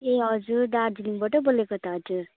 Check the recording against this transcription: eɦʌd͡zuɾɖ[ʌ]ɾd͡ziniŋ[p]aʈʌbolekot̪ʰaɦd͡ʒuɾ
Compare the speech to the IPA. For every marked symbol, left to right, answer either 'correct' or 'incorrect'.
incorrect: a, incorrect: b

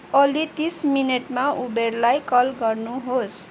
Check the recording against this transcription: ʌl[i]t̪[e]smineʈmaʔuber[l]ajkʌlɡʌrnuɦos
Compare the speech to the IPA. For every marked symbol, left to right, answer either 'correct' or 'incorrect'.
correct, incorrect: i, correct

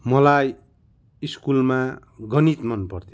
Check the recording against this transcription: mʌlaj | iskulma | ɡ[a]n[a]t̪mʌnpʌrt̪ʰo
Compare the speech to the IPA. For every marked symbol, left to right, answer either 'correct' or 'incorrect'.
incorrect: ʌ, incorrect: i

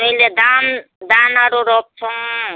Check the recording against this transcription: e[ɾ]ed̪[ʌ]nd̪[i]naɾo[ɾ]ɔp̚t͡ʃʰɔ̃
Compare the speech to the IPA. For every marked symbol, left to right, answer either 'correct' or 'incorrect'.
incorrect: l, incorrect: a, incorrect: a, correct

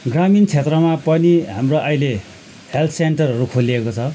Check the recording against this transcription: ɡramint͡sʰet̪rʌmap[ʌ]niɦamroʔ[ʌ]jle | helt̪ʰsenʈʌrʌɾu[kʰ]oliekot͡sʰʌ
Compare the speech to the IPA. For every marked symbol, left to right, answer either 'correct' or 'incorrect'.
correct, correct, correct

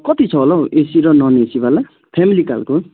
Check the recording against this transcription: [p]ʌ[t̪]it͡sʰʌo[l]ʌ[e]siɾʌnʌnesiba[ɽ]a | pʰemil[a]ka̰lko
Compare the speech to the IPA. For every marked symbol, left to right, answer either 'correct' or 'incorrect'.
incorrect: k, correct, correct, correct, incorrect: l, incorrect: i

